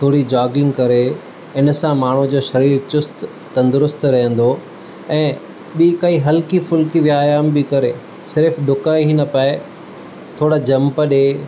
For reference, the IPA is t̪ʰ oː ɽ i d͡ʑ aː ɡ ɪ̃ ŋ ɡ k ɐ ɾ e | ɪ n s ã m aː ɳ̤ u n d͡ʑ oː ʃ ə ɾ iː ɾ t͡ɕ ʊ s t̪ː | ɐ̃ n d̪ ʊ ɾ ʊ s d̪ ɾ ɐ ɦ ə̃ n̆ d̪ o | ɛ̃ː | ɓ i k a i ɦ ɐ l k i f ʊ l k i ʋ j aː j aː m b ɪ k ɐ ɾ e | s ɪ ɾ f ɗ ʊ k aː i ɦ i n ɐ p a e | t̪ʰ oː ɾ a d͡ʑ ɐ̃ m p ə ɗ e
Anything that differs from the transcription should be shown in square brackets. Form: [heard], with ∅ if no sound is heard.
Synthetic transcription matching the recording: t̪ʰ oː ɽ i d͡ʑ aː ɡ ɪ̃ ŋ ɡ k ɐ ɾ e | ɪ n s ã m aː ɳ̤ u [∅] d͡ʑ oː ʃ [ɐ] ɾ iː ɾ t͡ɕ ʊ s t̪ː | ɐ̃ n d̪ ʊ ɾ ʊ s [t̪] ɾ ɐ ɦ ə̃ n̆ d̪ o | ɛ̃ː | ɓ i k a i ɦ ɐ l k i f ʊ l k i ʋ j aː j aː m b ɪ k ɐ ɾ e | s ɪ ɾ f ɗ ʊ k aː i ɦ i n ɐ p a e | t̪ʰ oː [ɽ] a d͡ʑ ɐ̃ m p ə ɗ e